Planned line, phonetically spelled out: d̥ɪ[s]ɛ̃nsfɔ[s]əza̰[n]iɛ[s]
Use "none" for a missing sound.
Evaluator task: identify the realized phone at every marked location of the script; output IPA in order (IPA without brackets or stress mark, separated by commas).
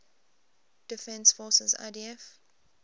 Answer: f, s, d, f